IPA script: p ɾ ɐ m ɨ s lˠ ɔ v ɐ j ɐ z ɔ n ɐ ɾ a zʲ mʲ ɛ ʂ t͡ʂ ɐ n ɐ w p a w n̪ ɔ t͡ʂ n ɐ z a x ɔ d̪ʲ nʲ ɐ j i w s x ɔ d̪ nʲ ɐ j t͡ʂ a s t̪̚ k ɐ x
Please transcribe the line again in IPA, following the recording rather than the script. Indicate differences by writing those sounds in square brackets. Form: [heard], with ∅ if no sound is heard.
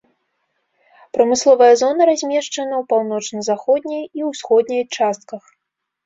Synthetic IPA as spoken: p ɾ ɐ m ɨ s lˠ ɔ v ɐ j ɐ z ɔ n ɐ ɾ a zʲ mʲ ɛ ʂ t͡ʂ ɐ n ɐ w p a w n̪ ɔ t͡ʂ n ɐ z a x ɔ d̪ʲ nʲ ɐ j i w s x ɔ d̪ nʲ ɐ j t͡ʂ a s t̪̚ k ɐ x